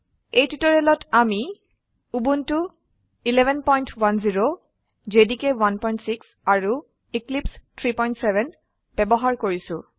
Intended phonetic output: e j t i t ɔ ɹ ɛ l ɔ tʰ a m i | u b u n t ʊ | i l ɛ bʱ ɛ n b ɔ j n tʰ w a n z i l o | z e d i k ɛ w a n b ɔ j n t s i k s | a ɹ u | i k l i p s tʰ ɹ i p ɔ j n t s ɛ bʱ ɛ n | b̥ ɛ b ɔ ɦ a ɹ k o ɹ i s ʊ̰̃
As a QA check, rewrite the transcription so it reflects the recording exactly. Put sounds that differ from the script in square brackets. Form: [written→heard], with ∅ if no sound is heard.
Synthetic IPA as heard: e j t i t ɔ ɹ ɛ l ɔ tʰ a m i | u b u n t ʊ | i l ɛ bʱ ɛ n [b→p] ɔ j n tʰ w a n z i [l→ɹ] o | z e d i k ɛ w a n [b→p] ɔ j n t s i k s | a ɹ u | i k l i p s tʰ ɹ i p ɔ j n t s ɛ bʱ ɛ n | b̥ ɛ b ɔ ɦ a ɹ k o ɹ i s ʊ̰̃

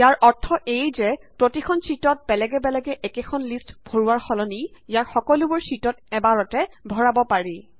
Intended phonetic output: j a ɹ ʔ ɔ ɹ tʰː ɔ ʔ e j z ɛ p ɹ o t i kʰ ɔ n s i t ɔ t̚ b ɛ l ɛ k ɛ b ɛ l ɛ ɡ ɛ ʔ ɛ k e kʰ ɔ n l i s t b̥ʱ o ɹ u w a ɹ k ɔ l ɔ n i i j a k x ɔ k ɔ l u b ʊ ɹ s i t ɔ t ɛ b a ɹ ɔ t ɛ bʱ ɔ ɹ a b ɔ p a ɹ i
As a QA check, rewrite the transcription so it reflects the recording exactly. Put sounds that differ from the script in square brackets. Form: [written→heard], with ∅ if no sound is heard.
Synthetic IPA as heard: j a ɹ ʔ ɔ ɹ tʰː ɔ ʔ e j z ɛ p ɹ o t i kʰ ɔ n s i t ɔ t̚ b ɛ l ɛ [k→ɡ] ɛ b ɛ l ɛ ɡ ɛ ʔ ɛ k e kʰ ɔ n l i s t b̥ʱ o ɹ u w a ɹ [k→x] ɔ l ɔ n i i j a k x ɔ k ɔ l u b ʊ ɹ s i t ɔ t ɛ b a ɹ ɔ t ɛ bʱ ɔ ɹ a b ɔ p a ɹ i

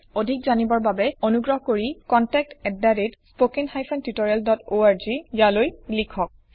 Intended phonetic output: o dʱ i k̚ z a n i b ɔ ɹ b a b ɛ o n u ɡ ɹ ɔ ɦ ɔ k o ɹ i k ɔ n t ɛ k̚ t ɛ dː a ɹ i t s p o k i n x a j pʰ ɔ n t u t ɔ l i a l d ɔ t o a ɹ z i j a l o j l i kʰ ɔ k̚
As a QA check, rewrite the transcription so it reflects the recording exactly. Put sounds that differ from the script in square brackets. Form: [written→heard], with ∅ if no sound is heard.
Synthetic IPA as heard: o dʱ i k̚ z a n i b ɔ ɹ b a b ɛ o n u ɡ ɹ ɔ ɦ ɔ k o ɹ i k ɔ n t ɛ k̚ t ɛ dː a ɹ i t s p o k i n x a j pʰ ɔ n t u t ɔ [l→ɹ] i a l d ɔ t o a ɹ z i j a l o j l i kʰ ɔ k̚

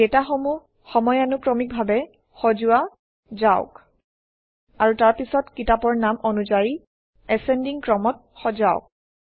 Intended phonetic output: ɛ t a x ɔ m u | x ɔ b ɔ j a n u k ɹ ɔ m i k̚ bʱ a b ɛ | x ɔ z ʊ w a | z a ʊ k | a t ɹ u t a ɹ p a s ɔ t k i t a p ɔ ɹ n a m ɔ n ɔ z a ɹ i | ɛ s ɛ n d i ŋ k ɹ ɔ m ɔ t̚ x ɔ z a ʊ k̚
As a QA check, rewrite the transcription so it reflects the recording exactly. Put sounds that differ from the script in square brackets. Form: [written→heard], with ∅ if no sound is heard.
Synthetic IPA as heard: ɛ t a x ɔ m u | x ɔ [b→m] ɔ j a n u k ɹ ɔ m i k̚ bʱ a b ɛ | x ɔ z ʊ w a | z a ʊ k | a [t→∅] ɹ u t a ɹ p [a→i] s ɔ t k i t a p ɔ ɹ n a m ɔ n [ɔ→u] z a ɹ i | ɛ s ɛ n d i ŋ k ɹ ɔ m ɔ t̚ x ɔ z a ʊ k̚

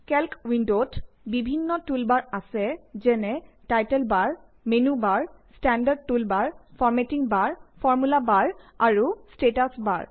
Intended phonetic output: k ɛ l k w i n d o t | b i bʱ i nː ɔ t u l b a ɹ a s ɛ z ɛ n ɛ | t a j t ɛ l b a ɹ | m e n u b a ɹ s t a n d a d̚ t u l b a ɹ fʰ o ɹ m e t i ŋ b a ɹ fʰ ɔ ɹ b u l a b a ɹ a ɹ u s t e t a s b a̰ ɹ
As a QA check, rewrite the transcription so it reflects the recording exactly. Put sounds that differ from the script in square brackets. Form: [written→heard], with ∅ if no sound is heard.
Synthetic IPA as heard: k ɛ l k w i n d o t | b i bʱ i nː ɔ t u l b a ɹ a s ɛ z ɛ n ɛ | t a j t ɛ l b a ɹ | m e n u b a ɹ s t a n d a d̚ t u l b a ɹ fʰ [o→ɔ] ɹ m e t i ŋ b a ɹ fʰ ɔ ɹ [b→m] u l a b a ɹ a ɹ u s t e t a s b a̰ ɹ

